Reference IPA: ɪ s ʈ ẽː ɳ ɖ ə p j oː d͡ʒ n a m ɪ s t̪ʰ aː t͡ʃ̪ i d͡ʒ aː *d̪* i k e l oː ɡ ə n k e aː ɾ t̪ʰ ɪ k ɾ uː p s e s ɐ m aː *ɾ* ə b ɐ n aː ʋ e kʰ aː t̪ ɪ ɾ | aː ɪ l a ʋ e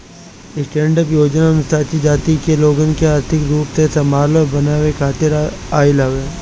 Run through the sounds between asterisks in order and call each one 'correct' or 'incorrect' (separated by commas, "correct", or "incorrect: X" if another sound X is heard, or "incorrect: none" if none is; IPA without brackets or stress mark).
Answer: incorrect: t̪, incorrect: l